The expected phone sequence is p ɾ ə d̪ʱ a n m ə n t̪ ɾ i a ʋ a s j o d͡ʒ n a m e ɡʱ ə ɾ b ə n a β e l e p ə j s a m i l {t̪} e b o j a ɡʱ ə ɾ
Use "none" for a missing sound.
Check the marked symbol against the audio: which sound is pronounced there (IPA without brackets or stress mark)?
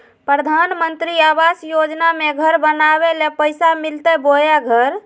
t̪